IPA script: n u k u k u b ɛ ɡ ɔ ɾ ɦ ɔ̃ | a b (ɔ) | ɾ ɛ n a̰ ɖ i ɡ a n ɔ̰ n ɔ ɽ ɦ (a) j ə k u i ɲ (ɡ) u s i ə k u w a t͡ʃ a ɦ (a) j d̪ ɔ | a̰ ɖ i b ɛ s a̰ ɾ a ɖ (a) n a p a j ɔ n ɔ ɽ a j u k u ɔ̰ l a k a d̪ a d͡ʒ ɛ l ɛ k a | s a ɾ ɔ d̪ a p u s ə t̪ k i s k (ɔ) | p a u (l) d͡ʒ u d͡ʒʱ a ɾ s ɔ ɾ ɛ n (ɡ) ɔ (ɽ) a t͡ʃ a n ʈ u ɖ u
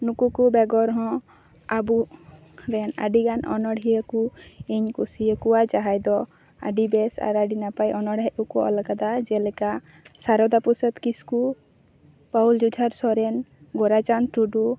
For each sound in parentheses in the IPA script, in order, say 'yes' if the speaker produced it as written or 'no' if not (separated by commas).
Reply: no, no, no, yes, no, no, yes, yes, no